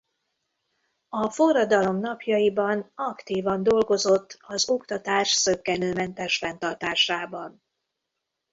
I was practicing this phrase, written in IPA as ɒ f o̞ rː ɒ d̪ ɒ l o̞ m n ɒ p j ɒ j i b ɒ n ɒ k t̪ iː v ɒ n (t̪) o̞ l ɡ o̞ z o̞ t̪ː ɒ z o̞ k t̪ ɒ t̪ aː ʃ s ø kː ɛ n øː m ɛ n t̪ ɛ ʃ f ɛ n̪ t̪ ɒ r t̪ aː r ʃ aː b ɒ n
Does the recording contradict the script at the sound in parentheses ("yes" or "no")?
yes